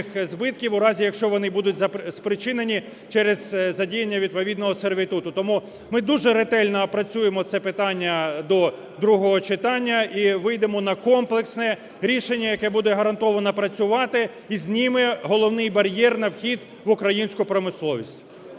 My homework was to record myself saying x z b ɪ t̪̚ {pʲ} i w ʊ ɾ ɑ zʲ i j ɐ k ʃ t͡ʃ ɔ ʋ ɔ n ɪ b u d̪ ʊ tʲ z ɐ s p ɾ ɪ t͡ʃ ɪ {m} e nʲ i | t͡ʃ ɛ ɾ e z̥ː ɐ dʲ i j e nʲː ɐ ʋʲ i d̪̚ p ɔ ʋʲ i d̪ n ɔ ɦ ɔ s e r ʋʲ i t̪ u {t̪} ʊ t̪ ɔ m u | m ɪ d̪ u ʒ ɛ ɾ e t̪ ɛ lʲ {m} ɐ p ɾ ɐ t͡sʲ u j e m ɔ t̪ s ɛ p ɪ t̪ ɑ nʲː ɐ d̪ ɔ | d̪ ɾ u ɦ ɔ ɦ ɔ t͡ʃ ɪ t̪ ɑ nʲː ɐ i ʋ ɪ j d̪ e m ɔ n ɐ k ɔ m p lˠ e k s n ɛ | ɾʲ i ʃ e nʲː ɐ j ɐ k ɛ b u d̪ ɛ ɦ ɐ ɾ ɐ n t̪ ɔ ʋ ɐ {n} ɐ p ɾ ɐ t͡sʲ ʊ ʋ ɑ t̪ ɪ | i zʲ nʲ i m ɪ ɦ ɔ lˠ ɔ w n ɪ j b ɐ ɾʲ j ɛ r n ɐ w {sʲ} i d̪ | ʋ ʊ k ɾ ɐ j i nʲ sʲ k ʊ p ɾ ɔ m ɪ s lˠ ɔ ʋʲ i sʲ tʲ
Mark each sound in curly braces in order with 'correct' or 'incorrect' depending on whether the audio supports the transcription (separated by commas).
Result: incorrect, incorrect, correct, incorrect, correct, incorrect